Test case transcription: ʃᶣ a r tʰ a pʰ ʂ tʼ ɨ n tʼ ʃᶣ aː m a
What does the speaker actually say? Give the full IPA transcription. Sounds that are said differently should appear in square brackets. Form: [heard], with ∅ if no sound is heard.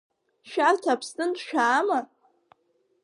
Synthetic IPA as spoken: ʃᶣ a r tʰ a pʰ [s] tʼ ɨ n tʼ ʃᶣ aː m a